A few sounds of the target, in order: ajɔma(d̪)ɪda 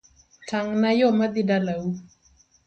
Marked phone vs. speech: correct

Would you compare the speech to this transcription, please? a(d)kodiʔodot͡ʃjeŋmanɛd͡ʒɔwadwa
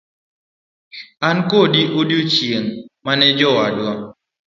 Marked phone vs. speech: incorrect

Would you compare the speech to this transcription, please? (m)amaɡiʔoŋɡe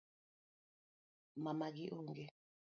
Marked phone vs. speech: correct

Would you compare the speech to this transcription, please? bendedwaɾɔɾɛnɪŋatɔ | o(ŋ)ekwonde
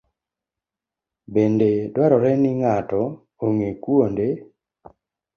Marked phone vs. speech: correct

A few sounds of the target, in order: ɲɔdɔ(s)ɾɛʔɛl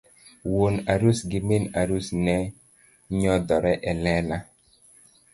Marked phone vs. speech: incorrect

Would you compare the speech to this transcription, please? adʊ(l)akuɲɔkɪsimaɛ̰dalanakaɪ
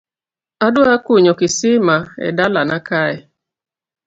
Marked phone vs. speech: incorrect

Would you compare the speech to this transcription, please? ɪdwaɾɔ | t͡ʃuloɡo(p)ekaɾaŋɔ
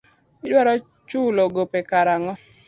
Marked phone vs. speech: correct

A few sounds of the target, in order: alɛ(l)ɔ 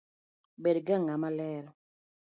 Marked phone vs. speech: incorrect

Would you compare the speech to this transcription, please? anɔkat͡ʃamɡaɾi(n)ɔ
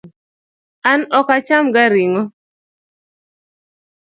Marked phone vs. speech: incorrect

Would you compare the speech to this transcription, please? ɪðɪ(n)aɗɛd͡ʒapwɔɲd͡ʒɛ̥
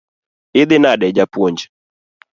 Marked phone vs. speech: correct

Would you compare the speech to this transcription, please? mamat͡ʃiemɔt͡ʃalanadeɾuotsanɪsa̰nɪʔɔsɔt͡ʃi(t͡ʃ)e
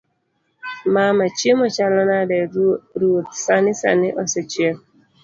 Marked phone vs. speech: incorrect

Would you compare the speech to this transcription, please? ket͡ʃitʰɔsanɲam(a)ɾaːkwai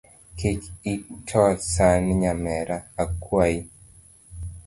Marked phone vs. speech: incorrect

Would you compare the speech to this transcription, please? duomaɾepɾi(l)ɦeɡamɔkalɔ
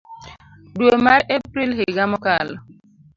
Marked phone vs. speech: correct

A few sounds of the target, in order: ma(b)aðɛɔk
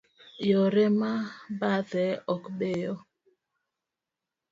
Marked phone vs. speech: correct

